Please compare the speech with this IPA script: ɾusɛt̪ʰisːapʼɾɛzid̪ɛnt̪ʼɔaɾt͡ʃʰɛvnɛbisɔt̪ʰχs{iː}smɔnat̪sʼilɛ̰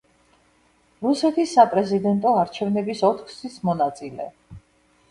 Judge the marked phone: incorrect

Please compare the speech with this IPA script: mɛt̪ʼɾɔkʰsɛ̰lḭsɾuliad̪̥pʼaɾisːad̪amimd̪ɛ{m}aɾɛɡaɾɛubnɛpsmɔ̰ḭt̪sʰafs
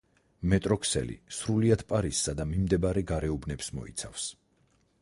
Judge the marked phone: incorrect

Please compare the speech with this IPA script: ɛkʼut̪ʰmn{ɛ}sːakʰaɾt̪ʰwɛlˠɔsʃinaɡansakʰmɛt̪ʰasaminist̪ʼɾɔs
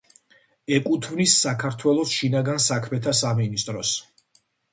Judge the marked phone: incorrect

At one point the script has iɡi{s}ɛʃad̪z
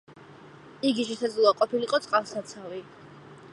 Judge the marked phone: incorrect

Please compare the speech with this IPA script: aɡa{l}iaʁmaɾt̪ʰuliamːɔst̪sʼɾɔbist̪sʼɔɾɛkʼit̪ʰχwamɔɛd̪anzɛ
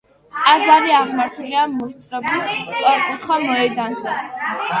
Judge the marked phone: incorrect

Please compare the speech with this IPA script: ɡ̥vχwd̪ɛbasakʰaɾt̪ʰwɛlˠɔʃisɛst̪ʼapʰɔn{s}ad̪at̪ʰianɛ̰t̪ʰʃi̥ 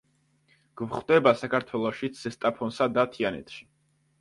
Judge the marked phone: correct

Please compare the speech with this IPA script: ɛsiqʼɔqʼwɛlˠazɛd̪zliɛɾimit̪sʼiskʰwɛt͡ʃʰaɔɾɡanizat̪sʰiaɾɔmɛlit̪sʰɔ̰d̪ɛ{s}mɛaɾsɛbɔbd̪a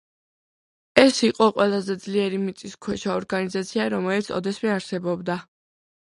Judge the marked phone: correct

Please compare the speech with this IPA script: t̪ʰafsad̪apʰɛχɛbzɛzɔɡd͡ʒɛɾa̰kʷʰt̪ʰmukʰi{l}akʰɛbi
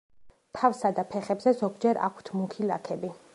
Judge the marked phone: correct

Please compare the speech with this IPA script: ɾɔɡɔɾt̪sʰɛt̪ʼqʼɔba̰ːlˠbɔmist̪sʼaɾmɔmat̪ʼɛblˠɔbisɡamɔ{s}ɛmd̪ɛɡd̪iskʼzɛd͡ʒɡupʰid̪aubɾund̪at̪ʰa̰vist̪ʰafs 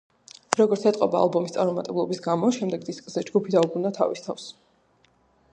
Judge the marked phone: incorrect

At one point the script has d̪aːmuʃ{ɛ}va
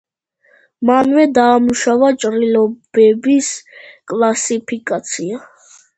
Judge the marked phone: incorrect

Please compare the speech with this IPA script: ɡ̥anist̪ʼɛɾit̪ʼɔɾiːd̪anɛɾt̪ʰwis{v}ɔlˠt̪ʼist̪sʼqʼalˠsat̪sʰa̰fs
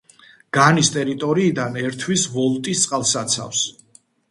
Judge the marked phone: correct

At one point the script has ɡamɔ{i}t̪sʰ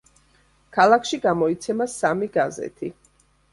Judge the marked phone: correct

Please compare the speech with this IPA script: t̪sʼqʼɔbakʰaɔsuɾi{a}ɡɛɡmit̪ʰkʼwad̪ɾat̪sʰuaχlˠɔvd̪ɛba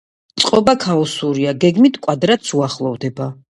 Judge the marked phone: correct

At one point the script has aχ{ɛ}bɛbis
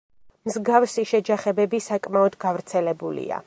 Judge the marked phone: correct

